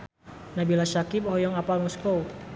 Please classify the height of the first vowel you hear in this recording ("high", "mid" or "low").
low